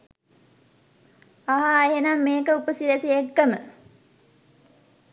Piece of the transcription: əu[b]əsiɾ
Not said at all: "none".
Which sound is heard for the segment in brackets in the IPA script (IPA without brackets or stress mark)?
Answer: p